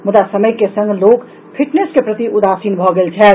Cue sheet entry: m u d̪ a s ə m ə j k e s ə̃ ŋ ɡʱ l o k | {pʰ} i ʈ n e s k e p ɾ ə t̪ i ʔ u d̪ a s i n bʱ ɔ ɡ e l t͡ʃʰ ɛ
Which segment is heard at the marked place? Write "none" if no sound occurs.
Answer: pʰ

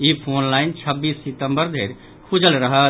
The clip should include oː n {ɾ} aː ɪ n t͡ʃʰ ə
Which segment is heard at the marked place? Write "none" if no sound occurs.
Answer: l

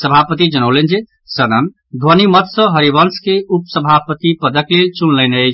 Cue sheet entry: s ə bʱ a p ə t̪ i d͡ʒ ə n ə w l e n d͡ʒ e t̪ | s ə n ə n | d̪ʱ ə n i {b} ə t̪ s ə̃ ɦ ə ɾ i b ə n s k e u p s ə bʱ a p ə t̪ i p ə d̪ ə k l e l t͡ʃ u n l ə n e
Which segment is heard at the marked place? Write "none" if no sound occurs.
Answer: m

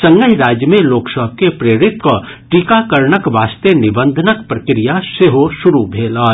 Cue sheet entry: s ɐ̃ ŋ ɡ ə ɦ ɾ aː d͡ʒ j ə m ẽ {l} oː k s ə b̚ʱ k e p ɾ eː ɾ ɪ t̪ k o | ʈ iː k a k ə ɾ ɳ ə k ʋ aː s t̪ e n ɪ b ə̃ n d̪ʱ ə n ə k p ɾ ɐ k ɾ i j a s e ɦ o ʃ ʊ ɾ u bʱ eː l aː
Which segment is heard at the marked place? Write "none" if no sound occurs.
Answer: l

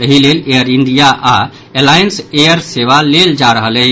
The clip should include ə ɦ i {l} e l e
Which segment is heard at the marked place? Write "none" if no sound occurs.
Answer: l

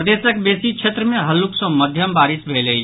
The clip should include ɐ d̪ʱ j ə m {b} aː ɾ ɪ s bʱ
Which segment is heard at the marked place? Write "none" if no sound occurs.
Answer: b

